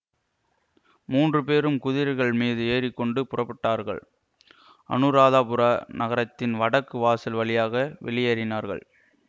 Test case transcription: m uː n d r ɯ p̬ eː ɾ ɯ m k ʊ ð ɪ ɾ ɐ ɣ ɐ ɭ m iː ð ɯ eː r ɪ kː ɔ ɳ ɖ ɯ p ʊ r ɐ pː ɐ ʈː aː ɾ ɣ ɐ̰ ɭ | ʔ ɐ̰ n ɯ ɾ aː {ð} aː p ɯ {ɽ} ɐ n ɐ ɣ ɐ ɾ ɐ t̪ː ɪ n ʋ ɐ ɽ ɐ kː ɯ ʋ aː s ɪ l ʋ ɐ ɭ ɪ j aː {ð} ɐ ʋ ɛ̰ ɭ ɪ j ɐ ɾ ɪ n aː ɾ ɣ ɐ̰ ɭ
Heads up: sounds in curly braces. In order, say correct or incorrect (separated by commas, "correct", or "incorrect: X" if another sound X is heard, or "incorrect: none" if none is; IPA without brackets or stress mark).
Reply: correct, incorrect: ɾ, incorrect: ɣ